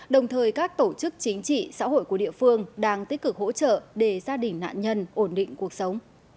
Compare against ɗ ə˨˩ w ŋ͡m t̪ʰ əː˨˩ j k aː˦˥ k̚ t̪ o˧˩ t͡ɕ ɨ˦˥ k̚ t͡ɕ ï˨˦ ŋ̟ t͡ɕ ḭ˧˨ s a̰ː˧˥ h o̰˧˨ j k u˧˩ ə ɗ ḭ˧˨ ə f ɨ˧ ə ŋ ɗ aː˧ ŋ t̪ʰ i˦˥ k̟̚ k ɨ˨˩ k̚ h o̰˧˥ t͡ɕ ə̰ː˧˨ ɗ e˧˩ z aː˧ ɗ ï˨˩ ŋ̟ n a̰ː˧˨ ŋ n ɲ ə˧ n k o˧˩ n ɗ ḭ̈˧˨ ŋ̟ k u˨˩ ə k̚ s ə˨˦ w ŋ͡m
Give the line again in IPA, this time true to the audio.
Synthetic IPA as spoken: ɗ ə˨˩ w ŋ͡m t̪ʰ əː˨˩ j k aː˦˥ k̚ t̪ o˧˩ t͡ɕ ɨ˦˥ k̚ t͡ɕ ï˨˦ ŋ̟ t͡ɕ ḭ˧˨ s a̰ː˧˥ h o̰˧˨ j k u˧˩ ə ɗ ḭ˧˨ ə f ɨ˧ ə ŋ ɗ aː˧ ŋ t̪ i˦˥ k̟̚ k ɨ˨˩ k̚ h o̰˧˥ t͡ɕ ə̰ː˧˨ ɗ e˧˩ z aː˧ ɗ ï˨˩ ŋ̟ n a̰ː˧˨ n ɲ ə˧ n ʔ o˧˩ n ɗ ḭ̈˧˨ ŋ̟ k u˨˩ ə k̚ s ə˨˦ w ŋ͡m